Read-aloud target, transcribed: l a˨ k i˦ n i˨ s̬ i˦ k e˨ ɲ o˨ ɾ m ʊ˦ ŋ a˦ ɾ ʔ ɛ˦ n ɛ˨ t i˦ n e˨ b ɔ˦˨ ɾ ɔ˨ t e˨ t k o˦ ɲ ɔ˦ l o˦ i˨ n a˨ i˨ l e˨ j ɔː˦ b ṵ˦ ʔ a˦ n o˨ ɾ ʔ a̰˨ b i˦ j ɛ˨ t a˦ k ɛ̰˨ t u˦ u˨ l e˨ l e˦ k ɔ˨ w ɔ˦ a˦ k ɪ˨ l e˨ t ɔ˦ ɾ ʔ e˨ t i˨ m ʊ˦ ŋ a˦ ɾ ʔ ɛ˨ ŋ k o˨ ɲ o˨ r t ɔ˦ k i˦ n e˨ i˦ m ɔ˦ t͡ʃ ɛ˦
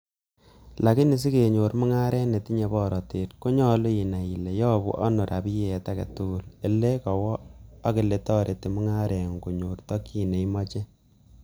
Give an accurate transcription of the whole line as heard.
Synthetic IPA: l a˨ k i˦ n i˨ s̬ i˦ k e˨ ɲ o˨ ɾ m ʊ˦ ŋ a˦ ɾ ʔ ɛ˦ n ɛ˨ t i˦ ɲ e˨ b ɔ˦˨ ɾ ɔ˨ t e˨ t k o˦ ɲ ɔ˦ l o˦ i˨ n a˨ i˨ l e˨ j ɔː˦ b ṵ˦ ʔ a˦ n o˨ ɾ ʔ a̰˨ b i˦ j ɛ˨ t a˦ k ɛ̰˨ t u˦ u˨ l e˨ l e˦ k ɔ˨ w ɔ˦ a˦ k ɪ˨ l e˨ t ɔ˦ ɾ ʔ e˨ t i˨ m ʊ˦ ŋ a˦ ɾ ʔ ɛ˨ ŋ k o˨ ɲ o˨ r t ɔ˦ k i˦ n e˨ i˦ m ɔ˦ t͡ʃ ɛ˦